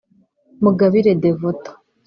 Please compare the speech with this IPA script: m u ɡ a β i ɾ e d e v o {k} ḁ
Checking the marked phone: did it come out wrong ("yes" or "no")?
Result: yes